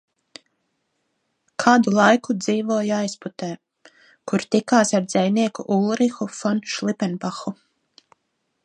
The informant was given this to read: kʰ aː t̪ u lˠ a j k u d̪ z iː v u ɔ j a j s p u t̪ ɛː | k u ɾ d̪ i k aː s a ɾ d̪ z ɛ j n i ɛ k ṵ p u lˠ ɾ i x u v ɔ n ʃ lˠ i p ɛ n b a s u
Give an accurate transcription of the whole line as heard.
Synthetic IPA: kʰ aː d̪ u lˠ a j k u d̪ z iː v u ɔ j a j s p u t̪ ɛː | k u ɾ t̪ i k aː s a ɾ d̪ z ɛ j n i ɛ k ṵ ʔ u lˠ ɾ i x u f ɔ n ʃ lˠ i p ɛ n b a x u